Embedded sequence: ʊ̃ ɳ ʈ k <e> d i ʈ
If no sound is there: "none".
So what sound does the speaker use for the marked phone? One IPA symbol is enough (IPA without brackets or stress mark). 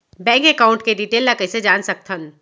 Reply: e